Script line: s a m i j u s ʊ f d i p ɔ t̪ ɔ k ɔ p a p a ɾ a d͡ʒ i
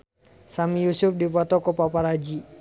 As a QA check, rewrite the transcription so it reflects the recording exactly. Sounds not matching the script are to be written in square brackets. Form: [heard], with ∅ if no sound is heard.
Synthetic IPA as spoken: s a m i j u s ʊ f d i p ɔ t̪ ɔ k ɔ p a p a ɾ a d͡ʒ i